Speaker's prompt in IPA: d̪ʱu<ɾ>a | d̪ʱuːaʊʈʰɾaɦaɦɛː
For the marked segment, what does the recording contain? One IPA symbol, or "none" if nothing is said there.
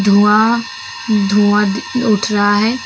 none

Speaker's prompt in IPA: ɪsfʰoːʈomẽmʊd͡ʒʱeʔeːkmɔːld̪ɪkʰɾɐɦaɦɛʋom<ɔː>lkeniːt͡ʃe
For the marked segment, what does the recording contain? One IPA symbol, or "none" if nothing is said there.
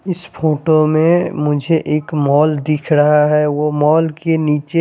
ɔː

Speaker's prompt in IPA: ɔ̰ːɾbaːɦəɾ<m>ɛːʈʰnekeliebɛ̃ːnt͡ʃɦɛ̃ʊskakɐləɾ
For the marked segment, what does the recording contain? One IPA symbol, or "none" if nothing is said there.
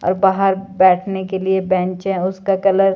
b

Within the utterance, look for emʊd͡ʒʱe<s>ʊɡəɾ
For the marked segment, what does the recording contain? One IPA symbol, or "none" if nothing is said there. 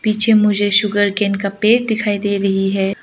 ʃ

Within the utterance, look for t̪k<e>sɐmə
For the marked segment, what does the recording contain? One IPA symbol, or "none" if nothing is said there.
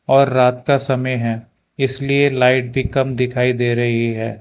a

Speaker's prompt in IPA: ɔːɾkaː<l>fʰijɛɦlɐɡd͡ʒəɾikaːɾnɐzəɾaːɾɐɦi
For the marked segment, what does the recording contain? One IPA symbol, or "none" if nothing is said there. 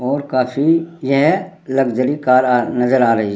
none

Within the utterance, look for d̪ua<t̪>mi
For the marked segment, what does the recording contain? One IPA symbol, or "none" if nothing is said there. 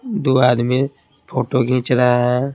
d̪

